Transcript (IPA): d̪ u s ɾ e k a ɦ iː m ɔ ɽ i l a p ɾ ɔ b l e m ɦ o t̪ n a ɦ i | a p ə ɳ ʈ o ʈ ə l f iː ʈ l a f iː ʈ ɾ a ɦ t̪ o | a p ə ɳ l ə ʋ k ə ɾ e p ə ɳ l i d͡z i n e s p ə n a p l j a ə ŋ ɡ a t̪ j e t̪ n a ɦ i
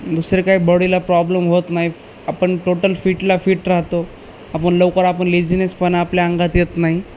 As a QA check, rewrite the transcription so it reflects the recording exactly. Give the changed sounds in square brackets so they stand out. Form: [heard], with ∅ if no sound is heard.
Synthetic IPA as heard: d̪ u s ɾ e k a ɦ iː [b] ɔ ɽ i l a p ɾ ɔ b l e m ɦ o t̪ n a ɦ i | a p ə ɳ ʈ o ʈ ə l f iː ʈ l a f iː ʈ ɾ a ɦ t̪ o | a p ə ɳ l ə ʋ k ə ɾ [a] p ə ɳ l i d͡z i n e s p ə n a p l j a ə ŋ ɡ a t̪ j e t̪ n a ɦ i